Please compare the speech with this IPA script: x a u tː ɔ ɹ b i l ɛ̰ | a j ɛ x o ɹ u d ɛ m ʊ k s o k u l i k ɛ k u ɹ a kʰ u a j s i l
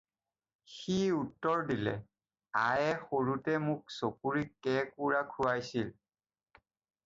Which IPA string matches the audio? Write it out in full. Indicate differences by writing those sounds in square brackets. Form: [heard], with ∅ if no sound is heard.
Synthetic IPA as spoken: x [i] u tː ɔ ɹ [d] i l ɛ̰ | a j ɛ x o ɹ u [t] ɛ m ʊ k s o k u [ɹ] i k ɛ k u ɹ a kʰ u a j s i l